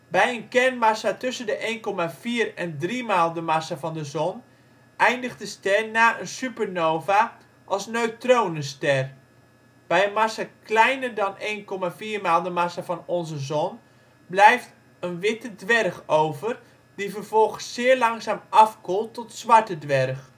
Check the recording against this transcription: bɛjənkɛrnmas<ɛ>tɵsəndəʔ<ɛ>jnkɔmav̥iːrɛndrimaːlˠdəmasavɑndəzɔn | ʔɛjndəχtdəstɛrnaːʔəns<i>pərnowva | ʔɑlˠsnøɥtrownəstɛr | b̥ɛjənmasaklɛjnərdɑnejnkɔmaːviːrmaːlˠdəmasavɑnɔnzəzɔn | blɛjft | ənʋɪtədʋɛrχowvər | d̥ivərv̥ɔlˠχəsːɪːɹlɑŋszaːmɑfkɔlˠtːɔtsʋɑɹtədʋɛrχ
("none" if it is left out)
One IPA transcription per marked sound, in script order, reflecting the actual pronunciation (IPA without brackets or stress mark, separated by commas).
a, e, y